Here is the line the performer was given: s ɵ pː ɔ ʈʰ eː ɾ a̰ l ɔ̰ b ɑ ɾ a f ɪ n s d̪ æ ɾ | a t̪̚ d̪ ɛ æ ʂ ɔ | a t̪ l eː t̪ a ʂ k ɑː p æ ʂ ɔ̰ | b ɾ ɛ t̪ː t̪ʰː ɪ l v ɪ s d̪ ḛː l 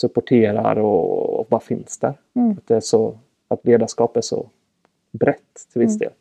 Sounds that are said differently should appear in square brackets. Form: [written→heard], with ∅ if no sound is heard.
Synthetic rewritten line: s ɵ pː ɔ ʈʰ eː ɾ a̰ [l→ɾ] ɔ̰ b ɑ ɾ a f ɪ n s d̪ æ ɾ | a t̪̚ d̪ ɛ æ ʂ ɔ | a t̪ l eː [t̪→d̪] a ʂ k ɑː p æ ʂ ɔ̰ | b ɾ ɛ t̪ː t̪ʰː ɪ l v ɪ s d̪ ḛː l